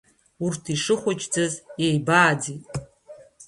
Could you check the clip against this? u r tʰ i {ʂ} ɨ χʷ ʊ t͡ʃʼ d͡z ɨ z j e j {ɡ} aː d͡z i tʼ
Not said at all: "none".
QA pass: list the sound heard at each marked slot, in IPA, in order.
ʂ, b

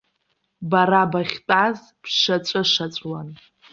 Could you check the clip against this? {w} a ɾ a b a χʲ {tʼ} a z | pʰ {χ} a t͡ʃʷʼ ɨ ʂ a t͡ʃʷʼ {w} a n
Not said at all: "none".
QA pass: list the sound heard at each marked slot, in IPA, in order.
b, tʼ, ʂ, w

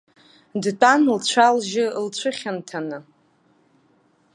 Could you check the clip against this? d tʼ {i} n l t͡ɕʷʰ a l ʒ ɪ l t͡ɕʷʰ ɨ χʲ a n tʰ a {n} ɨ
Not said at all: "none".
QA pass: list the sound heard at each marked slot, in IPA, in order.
a, n

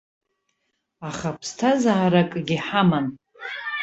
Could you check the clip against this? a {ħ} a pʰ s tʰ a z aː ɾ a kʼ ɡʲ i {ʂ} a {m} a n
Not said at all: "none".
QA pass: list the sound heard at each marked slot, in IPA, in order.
χ, ħ, m

